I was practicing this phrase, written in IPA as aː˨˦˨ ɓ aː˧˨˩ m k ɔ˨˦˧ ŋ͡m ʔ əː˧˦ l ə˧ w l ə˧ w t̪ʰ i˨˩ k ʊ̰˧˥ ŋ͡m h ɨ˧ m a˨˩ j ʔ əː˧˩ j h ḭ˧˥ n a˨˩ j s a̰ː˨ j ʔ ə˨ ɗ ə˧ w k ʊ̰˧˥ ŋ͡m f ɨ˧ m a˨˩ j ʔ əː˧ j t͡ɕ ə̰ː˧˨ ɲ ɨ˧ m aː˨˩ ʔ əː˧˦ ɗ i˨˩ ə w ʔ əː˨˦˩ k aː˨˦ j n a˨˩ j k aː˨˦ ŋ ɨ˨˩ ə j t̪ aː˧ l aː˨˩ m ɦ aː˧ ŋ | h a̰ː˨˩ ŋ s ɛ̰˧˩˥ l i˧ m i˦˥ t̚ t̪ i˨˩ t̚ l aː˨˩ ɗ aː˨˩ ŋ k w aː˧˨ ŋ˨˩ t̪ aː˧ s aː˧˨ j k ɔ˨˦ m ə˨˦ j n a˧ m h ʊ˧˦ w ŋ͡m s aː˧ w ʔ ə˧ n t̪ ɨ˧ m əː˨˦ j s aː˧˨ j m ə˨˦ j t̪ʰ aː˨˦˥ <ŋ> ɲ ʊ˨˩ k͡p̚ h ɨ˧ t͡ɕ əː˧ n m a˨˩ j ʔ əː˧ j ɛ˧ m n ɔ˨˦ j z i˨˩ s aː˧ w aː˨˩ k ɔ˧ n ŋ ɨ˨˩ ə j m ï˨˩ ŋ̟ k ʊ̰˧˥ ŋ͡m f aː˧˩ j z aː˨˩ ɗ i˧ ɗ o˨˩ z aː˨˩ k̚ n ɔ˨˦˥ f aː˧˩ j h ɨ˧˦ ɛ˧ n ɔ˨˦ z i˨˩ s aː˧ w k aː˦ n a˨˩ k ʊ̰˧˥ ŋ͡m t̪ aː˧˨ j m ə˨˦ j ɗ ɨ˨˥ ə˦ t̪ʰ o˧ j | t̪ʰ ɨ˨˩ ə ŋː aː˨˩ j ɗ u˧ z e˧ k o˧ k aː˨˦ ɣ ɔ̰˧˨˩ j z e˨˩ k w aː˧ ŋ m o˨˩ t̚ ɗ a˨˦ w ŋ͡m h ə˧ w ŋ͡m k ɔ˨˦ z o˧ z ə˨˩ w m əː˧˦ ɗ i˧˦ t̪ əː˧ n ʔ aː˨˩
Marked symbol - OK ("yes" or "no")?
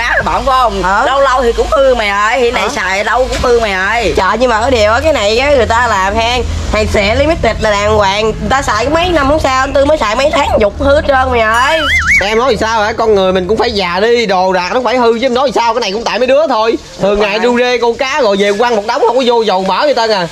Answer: yes